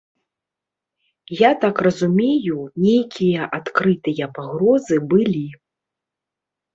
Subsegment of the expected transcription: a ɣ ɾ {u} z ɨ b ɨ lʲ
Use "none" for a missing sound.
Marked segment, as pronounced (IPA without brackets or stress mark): ɔ